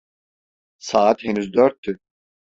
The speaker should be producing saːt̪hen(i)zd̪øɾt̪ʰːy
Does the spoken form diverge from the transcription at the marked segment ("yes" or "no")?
yes